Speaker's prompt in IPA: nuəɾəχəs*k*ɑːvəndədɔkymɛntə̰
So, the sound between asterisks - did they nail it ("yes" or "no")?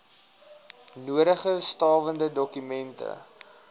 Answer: no